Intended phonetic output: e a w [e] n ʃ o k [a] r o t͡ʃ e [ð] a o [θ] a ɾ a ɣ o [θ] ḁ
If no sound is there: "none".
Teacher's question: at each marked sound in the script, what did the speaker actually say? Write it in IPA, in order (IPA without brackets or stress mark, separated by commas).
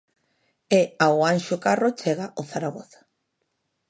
a, a, ɣ, θ, θ